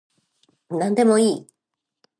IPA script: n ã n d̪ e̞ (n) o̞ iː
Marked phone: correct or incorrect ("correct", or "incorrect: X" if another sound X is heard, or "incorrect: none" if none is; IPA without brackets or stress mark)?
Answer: incorrect: m